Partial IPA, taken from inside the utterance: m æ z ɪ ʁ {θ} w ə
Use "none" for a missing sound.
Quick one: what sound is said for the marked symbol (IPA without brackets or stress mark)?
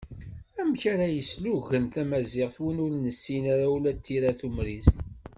θ